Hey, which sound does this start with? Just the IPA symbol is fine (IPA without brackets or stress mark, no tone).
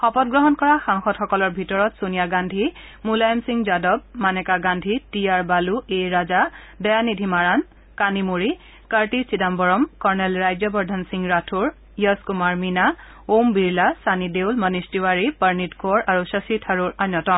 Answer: x